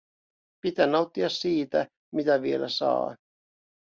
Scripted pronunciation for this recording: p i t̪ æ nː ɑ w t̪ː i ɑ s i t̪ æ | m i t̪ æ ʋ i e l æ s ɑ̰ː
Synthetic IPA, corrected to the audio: p i t̪ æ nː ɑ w t̪ː i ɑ s iː t̪ æ | m i t̪ æ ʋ i e l æ s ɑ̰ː